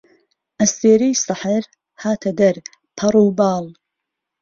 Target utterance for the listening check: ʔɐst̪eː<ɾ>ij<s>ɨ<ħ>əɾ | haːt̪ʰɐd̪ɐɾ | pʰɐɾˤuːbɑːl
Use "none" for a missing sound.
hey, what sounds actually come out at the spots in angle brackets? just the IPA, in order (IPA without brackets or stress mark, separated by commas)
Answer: ɾ, s, ħ